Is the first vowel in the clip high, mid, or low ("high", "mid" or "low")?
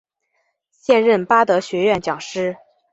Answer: mid